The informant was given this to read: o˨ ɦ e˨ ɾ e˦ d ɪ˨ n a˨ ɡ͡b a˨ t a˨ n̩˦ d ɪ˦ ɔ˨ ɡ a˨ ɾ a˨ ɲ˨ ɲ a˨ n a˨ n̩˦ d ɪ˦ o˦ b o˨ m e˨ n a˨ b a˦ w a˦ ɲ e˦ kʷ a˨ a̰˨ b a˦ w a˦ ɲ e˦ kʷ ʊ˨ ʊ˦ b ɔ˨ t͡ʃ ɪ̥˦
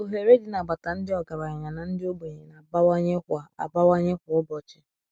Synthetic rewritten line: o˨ ɦ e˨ ɾ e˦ d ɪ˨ n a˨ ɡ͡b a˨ t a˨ n̩˦ d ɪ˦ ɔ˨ ɡ a˨ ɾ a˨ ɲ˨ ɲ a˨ n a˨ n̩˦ d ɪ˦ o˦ b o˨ ɲ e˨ n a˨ b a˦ w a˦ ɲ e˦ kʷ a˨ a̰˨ b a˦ w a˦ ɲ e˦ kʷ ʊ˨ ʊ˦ b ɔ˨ t͡ʃ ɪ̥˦